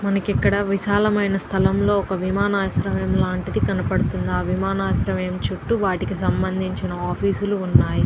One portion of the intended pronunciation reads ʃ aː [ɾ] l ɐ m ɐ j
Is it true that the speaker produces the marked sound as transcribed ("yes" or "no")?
no